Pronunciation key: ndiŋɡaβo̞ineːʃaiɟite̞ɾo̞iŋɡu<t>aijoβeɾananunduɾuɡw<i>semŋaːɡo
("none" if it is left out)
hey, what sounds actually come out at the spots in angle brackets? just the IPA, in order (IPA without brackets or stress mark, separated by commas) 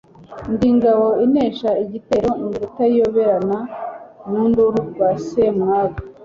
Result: t, a